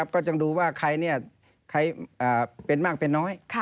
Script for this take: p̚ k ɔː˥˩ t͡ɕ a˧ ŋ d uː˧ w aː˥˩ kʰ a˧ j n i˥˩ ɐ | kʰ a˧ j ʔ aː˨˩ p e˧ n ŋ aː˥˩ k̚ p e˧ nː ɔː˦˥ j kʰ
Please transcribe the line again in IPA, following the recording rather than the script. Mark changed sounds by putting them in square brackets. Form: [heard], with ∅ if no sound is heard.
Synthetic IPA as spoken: p̚ k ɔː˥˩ t͡ɕ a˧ ŋ d uː˧ w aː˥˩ kʰ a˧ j n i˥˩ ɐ | kʰ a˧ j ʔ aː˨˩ p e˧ n [m] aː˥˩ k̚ p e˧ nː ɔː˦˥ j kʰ